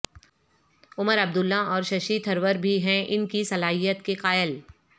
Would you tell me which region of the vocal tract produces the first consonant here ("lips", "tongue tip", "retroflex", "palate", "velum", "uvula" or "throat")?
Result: lips